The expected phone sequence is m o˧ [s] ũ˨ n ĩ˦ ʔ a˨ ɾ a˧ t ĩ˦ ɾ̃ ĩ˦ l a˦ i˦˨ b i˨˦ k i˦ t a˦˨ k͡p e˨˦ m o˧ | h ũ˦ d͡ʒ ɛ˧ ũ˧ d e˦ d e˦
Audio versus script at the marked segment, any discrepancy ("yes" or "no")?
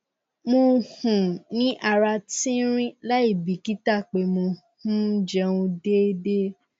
yes